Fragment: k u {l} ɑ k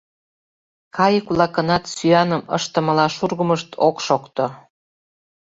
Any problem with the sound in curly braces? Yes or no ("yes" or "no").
no